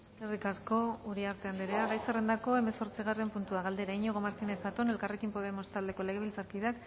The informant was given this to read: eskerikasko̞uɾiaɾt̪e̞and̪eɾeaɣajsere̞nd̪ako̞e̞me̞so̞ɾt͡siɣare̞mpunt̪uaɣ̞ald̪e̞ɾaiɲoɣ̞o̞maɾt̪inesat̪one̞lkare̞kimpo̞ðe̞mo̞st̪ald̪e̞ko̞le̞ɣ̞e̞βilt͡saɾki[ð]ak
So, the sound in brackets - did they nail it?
yes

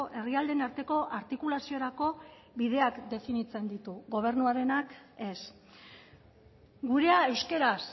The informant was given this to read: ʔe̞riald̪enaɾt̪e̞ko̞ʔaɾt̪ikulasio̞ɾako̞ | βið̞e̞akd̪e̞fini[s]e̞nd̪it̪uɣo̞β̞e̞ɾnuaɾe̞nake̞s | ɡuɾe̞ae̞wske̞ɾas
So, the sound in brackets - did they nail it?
no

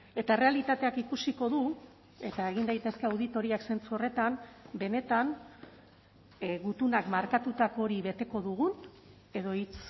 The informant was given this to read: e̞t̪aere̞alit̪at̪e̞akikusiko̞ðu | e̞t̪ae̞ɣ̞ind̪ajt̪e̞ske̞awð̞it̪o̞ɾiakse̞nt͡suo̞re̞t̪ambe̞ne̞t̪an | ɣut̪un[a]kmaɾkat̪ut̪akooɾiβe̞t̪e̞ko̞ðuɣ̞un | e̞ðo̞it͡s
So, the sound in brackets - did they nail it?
yes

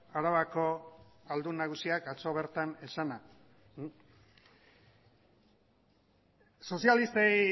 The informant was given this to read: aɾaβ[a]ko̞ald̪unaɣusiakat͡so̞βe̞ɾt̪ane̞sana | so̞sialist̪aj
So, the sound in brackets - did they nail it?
yes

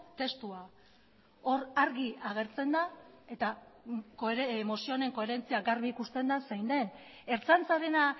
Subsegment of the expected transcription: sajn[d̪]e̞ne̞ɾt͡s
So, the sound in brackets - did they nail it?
yes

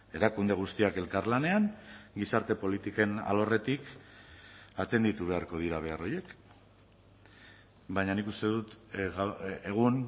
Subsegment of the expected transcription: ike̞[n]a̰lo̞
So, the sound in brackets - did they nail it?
yes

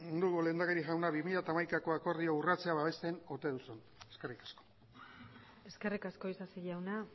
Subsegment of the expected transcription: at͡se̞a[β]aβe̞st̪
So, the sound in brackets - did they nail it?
yes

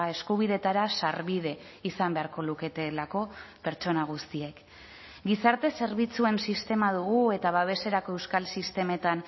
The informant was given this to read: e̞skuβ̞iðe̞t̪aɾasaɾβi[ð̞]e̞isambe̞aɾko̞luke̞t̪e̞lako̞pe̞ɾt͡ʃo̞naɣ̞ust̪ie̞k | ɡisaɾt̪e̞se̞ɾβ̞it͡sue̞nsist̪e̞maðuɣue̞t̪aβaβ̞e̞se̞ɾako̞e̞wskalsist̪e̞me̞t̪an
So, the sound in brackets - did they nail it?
yes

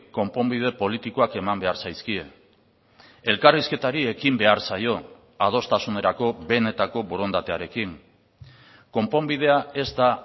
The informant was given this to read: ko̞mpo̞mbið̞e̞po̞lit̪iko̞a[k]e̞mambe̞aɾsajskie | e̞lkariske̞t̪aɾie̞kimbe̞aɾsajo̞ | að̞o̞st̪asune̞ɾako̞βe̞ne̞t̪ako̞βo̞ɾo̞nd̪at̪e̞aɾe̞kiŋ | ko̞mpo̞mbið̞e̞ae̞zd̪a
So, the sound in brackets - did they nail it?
yes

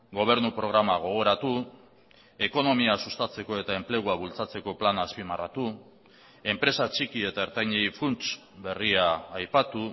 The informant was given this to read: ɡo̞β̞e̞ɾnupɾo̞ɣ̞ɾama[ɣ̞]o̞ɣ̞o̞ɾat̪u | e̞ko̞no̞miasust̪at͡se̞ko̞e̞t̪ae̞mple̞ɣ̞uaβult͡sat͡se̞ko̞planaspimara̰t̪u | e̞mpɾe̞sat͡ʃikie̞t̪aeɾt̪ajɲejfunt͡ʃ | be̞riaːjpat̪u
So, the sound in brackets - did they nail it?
yes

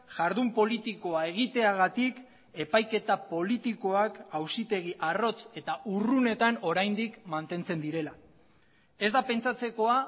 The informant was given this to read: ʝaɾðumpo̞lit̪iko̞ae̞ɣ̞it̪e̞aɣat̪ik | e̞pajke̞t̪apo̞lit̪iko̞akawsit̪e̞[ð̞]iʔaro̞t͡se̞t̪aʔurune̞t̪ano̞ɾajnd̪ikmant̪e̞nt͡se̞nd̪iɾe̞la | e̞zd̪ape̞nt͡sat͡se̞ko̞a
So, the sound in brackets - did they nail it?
no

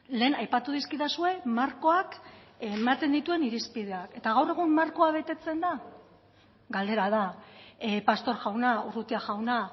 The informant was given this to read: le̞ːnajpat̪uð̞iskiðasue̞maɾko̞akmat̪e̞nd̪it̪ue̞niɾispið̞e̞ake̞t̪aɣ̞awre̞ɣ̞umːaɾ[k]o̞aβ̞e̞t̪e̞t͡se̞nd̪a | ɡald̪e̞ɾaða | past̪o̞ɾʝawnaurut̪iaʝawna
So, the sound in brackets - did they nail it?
yes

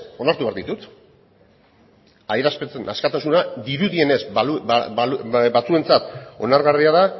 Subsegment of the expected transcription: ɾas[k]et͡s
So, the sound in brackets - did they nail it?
no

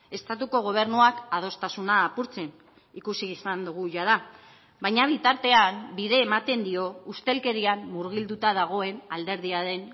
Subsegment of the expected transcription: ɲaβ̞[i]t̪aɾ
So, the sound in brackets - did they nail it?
yes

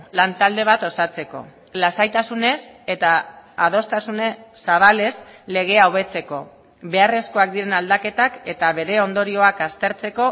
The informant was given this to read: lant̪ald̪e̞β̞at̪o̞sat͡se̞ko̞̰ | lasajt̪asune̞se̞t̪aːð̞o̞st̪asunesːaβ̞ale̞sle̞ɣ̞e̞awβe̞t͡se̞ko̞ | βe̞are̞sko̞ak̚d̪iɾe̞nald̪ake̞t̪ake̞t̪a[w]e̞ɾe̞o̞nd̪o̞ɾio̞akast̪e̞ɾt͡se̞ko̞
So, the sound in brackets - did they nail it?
no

